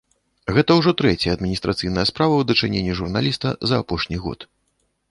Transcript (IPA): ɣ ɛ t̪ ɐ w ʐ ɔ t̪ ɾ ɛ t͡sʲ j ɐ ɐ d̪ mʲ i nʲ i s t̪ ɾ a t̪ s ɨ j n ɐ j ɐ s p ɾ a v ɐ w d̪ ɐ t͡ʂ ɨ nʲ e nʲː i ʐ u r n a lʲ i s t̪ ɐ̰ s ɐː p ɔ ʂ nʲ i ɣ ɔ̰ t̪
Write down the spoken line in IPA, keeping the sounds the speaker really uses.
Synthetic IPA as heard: ɣ ɛ t̪ ɐ w ʐ ɔ t̪ ɾ ɛ t͡sʲ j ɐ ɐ d̪ mʲ i nʲ i s t̪ ɾ a t̪ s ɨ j n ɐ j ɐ s p ɾ a v ɐ w d̪ ɐ t͡ʂ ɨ nʲ e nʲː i ʐ u r n a lʲ i s t̪ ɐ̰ z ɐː p ɔ ʂ nʲ i ɣ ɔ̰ t̪